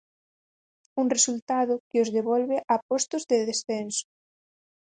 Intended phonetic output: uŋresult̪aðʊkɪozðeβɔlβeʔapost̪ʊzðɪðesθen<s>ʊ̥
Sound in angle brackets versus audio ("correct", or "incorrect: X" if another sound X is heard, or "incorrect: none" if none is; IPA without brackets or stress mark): correct